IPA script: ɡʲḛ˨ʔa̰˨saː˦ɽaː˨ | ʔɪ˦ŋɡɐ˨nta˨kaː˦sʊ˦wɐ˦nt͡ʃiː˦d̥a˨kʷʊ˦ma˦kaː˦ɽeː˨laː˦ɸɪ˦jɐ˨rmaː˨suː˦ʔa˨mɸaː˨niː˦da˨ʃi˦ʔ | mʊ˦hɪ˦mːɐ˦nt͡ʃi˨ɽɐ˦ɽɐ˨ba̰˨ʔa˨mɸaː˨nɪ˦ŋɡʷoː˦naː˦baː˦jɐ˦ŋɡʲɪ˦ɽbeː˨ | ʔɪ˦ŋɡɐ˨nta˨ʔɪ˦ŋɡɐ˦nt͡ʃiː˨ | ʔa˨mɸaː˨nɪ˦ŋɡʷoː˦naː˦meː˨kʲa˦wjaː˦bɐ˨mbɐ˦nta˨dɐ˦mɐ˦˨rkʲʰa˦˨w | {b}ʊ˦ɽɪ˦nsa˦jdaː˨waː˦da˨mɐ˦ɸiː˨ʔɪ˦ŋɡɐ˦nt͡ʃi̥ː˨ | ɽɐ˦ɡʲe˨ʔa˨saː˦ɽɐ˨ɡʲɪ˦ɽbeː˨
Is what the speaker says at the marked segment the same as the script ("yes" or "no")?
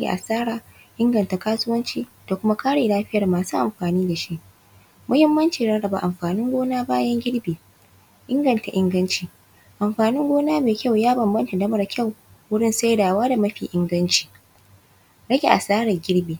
no